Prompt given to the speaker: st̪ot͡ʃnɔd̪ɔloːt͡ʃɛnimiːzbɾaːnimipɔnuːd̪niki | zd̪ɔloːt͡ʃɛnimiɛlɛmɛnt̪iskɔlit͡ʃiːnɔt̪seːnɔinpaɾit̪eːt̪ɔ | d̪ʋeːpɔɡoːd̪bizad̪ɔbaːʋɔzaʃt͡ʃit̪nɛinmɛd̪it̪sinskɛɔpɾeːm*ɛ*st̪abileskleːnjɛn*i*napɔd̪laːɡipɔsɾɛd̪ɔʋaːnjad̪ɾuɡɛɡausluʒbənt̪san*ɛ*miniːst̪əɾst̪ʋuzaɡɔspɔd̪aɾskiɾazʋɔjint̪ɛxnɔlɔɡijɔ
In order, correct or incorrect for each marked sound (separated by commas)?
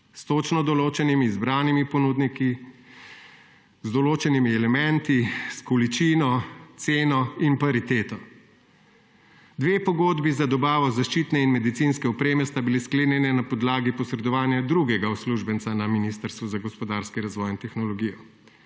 correct, incorrect, incorrect